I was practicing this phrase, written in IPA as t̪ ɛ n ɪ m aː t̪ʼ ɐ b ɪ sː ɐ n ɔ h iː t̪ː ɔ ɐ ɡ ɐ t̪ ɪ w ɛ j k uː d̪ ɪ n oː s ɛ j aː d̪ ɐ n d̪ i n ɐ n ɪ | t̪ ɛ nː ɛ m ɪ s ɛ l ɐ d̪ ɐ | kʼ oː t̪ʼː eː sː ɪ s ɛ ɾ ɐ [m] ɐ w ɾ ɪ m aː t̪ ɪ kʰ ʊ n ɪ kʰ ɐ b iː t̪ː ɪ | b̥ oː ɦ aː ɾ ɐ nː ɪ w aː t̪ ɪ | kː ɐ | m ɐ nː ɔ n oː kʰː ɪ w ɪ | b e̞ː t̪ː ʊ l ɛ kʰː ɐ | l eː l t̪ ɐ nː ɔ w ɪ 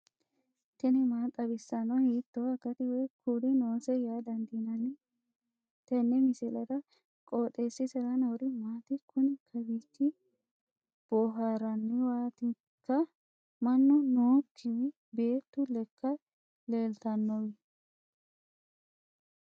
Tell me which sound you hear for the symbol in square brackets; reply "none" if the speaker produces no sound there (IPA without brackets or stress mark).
n